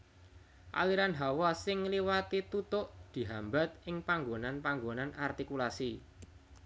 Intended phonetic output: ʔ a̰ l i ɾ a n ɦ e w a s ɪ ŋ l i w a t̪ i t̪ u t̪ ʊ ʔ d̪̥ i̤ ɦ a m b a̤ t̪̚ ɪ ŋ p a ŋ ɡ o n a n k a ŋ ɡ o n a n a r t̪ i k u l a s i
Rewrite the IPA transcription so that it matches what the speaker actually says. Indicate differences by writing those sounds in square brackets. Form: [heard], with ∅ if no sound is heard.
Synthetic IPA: ʔ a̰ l i ɾ a n ɦ [a] w a s ɪ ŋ l i w a t̪ i t̪ u t̪ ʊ ʔ d̪̥ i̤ ɦ a m b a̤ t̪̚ ɪ ŋ p a ŋ ɡ o n a n [p] a ŋ ɡ o n a n a r t̪ i k u l a s i

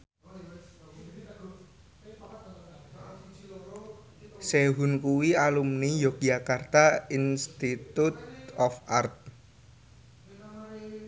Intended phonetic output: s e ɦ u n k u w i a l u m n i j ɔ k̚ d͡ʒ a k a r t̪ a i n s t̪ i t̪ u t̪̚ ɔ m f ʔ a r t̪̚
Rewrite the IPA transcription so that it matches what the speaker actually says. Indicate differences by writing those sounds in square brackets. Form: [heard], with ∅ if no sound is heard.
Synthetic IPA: s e ɦ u n k u w i a l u m n i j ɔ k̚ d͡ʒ a k a r t̪ a i n s t̪ i t̪ u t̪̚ ɔ [∅] f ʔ a r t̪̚

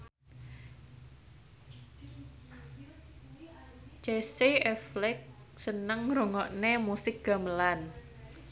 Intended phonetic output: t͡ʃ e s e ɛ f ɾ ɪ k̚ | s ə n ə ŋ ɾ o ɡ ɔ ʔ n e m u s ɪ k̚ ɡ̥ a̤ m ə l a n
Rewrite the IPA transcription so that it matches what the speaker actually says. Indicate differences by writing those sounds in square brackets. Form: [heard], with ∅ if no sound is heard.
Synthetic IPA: t͡ʃ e s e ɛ f [l] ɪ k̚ | s ə n ə ŋ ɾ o [ŋ] ɔ ʔ n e m u s ɪ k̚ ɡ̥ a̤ m ə l a n

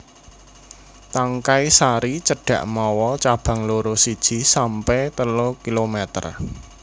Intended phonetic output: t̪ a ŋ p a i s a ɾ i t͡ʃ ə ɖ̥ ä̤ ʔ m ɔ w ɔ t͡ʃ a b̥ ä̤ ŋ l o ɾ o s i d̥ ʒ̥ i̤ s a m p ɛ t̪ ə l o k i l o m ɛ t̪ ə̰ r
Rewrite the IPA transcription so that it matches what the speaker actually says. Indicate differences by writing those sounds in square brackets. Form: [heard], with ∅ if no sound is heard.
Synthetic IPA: t̪ a ŋ [k] a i s a ɾ i t͡ʃ ə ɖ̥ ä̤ ʔ m ɔ w ɔ t͡ʃ a b̥ ä̤ ŋ l o ɾ o s i d̥ ʒ̥ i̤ s a m p ɛ t̪ ə l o k i l o m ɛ t̪ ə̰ r

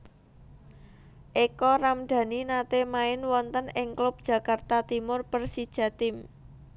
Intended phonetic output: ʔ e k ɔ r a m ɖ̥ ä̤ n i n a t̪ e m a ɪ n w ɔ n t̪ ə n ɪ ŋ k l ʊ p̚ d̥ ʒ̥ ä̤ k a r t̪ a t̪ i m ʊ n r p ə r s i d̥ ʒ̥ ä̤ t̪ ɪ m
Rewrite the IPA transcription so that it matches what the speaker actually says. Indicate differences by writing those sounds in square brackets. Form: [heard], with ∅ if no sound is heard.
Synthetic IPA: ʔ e k ɔ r a m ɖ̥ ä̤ n i n a t̪ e m a ɪ n w ɔ n t̪ ə n ɪ ŋ k l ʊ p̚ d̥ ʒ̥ ä̤ k a r t̪ a t̪ i m ʊ [∅] r p ə r s i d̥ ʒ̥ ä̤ t̪ ɪ m

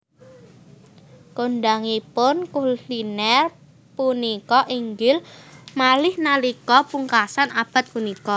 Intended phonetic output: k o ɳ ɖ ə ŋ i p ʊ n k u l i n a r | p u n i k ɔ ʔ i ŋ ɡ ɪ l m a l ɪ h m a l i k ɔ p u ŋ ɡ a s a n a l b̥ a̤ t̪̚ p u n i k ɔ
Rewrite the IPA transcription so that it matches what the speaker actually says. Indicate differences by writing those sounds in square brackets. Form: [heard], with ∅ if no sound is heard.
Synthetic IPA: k o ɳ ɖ [a] ŋ i p ʊ n k u l i n [ɛ] r | p u n i k ɔ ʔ i ŋ ɡ ɪ l m a l ɪ h [n] a l i k ɔ p u ŋ [k] a s a n a [∅] b̥ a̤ t̪̚ p u n i k ɔ

